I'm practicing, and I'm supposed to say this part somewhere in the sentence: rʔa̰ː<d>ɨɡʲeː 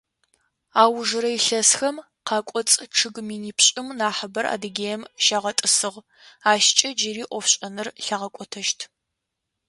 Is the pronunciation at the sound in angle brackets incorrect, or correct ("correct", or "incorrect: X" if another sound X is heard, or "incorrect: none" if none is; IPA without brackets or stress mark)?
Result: correct